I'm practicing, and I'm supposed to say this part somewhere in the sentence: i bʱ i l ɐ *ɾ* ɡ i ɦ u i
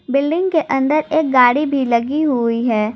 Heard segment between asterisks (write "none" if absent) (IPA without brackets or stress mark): none